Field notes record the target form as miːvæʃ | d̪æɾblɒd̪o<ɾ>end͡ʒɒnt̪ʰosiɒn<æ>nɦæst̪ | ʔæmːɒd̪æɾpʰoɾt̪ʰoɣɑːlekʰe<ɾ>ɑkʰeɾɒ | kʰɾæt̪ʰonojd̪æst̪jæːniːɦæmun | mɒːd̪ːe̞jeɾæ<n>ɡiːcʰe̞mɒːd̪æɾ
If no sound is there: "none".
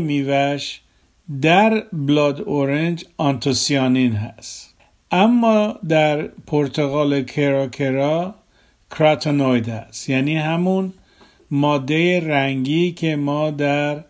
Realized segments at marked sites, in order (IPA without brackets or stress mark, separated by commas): ɾ, i, ɾ, ŋ